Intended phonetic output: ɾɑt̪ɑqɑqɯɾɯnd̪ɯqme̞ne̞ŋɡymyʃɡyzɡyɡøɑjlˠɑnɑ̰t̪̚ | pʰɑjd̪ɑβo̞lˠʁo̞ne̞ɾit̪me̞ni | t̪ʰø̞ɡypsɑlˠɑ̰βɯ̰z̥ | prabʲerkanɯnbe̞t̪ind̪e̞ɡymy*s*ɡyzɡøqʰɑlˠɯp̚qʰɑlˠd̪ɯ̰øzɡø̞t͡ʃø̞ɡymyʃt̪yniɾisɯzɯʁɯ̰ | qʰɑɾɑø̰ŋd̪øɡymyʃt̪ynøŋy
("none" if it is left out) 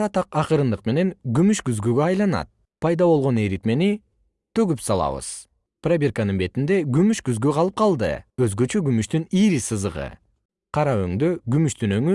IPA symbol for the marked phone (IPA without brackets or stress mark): ʃ